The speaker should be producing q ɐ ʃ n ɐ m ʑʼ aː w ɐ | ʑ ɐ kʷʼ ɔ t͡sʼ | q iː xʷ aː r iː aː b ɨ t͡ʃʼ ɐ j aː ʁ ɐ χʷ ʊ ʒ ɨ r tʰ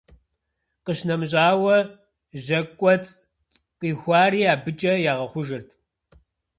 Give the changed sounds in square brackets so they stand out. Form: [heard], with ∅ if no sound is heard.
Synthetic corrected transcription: q [ə] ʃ n ɐ m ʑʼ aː w ɐ | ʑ ɐ kʷʼ ɔ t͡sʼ | q iː xʷ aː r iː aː b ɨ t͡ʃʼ ɐ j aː ʁ ɐ χʷ ʊ ʒ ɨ r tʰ